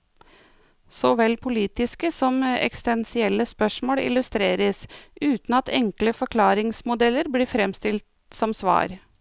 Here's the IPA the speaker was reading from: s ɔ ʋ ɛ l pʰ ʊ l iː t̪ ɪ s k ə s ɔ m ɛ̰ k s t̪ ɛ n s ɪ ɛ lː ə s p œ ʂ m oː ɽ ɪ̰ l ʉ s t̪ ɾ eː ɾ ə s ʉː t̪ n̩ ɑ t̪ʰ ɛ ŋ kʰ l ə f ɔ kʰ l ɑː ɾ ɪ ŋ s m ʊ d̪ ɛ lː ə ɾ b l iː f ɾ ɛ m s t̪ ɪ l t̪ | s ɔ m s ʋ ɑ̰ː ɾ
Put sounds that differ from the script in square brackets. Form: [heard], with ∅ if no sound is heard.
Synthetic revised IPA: s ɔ ʋ ɛ l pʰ ʊ l iː t̪ ɪ s k ə s ɔ m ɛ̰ k s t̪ ɛ n s ɪ ɛ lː ə s p œ ʂ m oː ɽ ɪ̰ l ʉ s t̪ ɾ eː ɾ ə s ʉː t̪ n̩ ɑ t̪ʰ ɛ ŋ [k] l ə f ɔ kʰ l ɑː ɾ ɪ ŋ s m ʊ d̪ ɛ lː ə ɾ b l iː f ɾ ɛ m s t̪ ɪ l t̪ | s ɔ m s ʋ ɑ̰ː ɾ